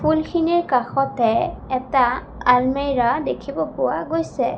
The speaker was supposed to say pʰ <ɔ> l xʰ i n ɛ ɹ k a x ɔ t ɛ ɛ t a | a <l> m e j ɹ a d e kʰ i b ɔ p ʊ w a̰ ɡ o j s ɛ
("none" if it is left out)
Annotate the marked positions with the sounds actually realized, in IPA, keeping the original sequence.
u, l

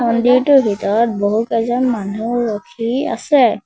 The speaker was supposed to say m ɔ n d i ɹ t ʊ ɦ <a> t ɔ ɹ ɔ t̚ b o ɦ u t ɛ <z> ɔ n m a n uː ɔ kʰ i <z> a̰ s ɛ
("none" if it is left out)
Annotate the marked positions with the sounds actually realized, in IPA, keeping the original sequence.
i, z, none

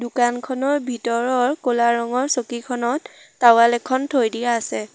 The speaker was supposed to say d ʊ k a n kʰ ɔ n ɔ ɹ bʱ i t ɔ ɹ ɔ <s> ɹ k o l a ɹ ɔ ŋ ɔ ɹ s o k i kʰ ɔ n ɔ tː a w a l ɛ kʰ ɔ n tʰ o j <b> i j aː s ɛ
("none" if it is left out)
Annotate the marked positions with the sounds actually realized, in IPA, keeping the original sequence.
none, d

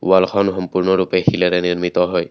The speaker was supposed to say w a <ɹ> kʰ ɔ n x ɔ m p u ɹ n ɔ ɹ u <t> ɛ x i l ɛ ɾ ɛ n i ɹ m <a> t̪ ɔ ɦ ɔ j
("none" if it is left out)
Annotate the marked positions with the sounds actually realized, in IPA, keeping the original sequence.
l, p, i

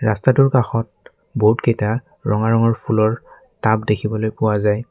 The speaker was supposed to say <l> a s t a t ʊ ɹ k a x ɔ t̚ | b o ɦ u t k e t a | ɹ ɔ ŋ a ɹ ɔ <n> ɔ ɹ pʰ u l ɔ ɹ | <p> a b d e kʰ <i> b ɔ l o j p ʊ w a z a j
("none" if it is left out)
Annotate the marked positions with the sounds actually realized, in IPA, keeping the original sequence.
ɹ, ŋ, t, i

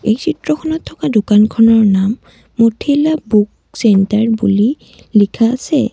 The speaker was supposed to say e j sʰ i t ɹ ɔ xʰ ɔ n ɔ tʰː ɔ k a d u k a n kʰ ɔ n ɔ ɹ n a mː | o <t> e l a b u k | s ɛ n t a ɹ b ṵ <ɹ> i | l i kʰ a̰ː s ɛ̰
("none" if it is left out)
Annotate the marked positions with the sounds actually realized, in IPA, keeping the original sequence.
tʰ, l

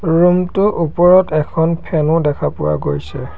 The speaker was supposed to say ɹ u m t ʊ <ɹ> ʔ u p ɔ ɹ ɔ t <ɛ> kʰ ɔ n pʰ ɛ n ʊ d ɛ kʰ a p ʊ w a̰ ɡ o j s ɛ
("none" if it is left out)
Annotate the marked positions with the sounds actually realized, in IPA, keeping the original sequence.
none, ɛ

